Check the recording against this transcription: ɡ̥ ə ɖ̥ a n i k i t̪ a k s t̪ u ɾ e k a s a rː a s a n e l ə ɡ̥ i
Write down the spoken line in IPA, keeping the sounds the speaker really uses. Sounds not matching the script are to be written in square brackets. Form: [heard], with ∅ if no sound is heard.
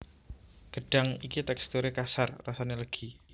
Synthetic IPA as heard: ɡ̥ ə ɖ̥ a [ŋ] i k i t̪ [ɛ] k s t̪ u ɾ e k a s a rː a s a n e l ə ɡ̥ i